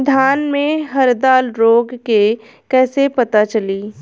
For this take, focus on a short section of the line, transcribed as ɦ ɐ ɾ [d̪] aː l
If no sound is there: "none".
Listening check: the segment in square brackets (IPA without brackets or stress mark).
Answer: d̪